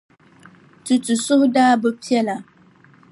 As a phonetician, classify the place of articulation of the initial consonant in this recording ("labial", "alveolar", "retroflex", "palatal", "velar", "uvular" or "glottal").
alveolar